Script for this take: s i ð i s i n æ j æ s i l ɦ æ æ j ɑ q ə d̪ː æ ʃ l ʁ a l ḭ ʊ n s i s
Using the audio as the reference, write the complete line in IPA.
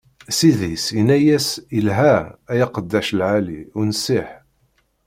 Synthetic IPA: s i ð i s i n æ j æ s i l ɦ æ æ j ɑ q ə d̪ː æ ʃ l ʕ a l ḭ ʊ n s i ħ